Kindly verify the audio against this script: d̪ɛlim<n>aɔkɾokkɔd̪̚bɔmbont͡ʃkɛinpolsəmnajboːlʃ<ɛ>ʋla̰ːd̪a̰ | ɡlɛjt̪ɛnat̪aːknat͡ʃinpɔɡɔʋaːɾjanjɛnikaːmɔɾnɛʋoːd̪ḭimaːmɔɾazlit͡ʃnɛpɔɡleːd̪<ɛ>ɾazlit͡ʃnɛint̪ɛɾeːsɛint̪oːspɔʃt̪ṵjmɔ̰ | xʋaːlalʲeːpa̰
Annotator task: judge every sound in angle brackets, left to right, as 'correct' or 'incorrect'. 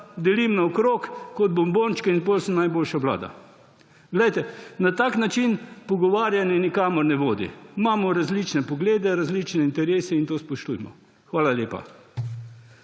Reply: correct, incorrect, correct

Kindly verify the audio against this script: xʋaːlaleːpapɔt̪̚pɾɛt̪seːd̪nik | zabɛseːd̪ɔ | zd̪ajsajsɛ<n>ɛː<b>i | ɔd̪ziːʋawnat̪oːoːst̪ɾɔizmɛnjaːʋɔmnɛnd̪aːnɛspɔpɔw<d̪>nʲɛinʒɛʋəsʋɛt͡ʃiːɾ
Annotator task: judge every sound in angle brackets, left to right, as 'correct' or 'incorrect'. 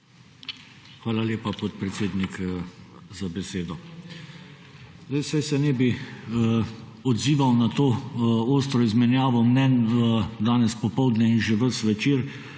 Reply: correct, correct, correct

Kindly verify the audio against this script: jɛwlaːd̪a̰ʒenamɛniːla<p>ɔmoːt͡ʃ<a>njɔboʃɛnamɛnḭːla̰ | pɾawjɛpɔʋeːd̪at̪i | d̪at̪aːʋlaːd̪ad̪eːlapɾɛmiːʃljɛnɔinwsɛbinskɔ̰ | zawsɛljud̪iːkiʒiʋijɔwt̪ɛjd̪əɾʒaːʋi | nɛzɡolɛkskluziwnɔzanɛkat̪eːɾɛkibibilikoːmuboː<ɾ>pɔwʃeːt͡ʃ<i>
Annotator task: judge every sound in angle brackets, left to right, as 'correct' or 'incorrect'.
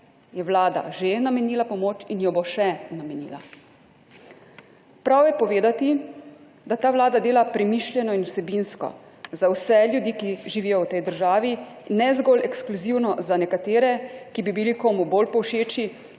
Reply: correct, incorrect, incorrect, correct

